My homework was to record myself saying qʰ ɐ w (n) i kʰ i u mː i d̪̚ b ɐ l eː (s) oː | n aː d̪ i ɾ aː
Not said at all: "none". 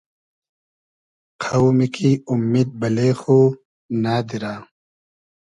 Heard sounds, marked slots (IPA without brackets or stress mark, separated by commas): m, x